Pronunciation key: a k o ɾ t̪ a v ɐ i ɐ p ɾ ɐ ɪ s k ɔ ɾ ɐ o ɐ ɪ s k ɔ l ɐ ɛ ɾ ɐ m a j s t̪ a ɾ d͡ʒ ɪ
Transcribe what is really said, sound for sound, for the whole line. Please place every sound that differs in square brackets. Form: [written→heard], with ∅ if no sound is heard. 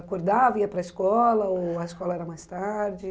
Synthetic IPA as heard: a k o ɾ [t̪→d̪] a v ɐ i ɐ p ɾ ɐ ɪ s k ɔ [ɾ→l] ɐ o ɐ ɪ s k ɔ l ɐ ɛ ɾ ɐ m a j s t̪ a ɾ d͡ʒ ɪ